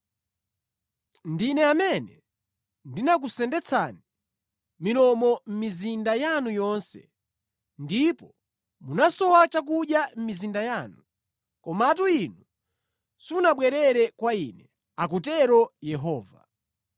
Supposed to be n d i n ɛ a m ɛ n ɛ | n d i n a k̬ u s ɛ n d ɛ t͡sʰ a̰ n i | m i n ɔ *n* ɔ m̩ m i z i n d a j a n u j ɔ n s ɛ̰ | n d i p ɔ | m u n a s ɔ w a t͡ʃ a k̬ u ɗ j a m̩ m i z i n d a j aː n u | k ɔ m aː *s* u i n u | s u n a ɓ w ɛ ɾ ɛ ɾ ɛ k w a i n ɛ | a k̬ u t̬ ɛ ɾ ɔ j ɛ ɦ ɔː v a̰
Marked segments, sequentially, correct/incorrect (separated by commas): incorrect, incorrect